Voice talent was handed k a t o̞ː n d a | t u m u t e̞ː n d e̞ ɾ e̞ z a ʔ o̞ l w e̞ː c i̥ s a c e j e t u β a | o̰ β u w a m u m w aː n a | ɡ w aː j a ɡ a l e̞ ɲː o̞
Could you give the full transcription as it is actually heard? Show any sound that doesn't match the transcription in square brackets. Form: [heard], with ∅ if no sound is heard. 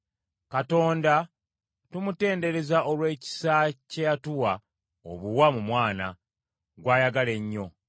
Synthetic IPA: k a t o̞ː n d a | t u m u t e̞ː n d e̞ ɾ e̞ z a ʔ o̞ l w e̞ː c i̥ s a c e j [a] t u [w] a | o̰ β u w a m u m w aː n a | ɡ w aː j a ɡ a l e̞ ɲː o̞